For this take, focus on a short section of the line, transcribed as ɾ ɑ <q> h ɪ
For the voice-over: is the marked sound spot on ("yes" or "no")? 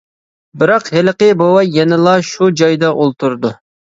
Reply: yes